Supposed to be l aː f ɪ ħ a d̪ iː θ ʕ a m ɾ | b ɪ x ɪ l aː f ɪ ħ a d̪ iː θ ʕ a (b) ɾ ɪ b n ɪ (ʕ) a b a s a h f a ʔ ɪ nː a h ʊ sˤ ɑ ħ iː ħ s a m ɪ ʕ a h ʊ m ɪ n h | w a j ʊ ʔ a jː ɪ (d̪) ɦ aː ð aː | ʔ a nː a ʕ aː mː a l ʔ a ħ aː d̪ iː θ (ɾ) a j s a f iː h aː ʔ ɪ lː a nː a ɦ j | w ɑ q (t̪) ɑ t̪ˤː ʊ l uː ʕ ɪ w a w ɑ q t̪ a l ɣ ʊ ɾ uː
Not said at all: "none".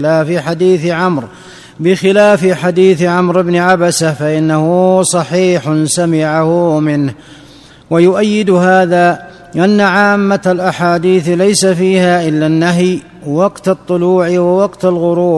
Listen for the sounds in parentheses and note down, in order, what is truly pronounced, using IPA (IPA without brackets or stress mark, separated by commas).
m, ʕ, d̪, l, t̪